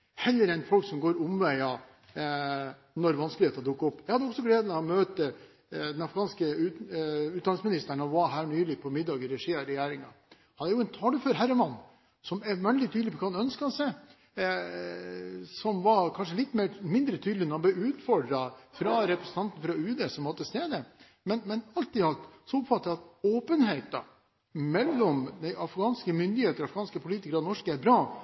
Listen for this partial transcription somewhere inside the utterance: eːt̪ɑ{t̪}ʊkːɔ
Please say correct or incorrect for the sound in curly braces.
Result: incorrect: d̪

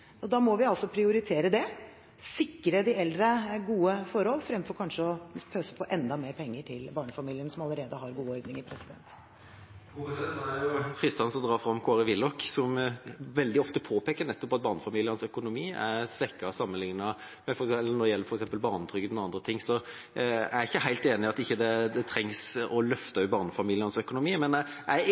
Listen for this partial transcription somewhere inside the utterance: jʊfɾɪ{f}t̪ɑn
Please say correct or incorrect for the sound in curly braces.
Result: incorrect: s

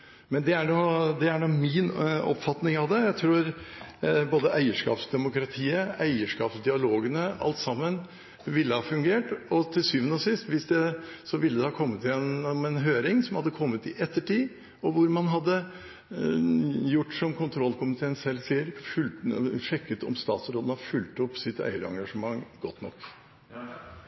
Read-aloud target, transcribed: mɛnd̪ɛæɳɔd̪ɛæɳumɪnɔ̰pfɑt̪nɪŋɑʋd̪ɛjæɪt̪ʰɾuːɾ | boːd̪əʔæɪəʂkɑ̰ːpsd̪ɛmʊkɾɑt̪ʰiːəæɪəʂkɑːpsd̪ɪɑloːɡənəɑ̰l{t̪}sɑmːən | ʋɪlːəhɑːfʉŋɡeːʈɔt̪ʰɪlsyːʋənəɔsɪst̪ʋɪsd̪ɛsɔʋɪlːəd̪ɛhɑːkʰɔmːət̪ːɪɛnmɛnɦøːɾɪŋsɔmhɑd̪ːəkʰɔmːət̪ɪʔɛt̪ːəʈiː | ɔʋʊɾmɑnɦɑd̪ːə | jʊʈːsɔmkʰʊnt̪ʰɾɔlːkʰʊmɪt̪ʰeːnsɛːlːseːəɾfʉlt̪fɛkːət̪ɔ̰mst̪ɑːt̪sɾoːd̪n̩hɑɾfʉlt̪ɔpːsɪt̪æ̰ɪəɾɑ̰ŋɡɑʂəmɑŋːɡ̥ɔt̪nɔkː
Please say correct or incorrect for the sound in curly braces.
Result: correct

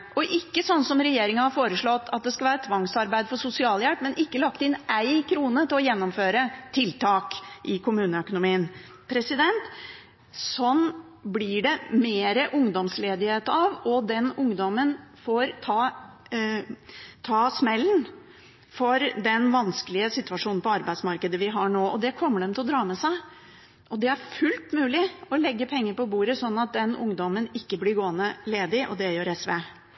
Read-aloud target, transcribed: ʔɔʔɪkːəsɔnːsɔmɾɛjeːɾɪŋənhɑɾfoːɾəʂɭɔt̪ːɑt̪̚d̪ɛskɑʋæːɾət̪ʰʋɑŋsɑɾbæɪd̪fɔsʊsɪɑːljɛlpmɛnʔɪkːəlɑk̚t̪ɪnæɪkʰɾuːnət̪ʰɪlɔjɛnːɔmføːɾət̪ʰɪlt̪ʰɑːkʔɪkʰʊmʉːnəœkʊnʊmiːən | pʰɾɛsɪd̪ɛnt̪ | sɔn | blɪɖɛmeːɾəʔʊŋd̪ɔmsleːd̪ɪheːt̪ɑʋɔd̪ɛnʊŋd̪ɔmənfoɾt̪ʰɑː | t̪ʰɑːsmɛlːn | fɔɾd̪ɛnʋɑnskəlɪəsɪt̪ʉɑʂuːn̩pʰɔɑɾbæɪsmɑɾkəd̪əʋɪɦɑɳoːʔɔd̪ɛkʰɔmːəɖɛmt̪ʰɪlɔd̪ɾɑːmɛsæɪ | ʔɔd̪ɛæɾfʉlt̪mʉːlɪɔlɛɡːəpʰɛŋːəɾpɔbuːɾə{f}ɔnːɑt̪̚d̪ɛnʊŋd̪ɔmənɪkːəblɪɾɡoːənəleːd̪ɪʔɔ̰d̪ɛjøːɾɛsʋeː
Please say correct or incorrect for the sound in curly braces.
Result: incorrect: s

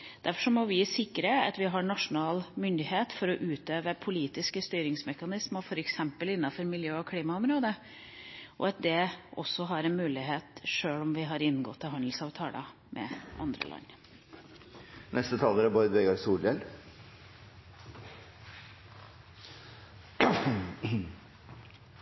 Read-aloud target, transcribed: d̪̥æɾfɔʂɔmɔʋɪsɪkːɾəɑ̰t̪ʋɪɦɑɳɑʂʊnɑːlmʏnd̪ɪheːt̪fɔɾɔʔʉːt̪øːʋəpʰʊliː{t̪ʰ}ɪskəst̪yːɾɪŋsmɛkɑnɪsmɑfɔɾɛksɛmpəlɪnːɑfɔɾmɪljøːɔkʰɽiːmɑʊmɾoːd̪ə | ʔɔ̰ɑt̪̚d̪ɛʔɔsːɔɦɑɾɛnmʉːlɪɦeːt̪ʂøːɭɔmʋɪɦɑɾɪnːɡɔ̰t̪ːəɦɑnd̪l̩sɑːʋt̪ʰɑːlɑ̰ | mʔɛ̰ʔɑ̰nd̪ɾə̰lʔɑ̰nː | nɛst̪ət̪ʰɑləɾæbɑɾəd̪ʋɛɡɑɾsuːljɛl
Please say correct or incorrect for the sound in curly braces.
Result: incorrect: t̪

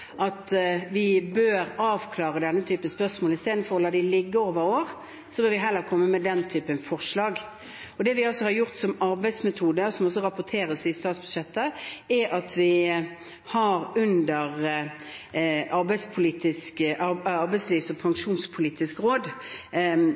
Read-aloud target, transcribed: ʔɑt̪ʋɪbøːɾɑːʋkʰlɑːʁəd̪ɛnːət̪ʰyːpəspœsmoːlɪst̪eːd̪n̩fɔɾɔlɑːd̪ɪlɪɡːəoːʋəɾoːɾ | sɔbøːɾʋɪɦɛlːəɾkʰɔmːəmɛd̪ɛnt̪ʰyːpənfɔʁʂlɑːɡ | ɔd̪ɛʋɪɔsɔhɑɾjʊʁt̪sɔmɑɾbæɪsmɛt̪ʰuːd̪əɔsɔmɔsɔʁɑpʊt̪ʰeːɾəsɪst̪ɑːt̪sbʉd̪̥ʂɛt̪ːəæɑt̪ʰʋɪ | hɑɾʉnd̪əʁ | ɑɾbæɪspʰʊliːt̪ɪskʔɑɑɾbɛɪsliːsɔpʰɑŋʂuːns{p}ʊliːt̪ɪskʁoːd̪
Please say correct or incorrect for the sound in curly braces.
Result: incorrect: pʰ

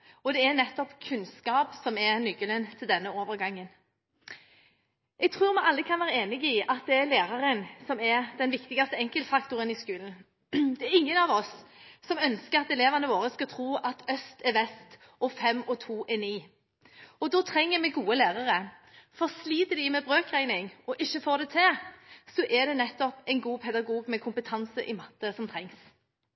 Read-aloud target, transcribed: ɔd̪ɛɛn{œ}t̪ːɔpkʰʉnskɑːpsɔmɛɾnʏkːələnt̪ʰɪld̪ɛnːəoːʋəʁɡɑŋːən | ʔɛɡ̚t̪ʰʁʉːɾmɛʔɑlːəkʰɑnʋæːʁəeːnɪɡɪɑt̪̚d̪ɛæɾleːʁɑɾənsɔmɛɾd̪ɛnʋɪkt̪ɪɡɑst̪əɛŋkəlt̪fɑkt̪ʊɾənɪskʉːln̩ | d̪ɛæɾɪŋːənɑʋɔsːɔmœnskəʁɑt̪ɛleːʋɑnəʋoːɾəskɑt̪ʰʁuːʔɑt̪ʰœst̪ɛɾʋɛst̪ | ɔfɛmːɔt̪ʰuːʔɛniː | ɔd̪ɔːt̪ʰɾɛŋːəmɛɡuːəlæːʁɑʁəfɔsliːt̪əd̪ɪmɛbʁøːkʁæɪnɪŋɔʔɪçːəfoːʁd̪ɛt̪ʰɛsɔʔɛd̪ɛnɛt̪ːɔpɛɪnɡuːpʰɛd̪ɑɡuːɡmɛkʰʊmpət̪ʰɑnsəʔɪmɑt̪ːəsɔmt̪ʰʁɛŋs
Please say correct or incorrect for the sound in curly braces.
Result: incorrect: ɛ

